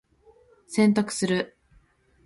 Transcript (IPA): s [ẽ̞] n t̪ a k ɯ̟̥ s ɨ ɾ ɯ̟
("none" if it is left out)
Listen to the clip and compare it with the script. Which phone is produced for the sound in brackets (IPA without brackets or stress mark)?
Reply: ẽ̞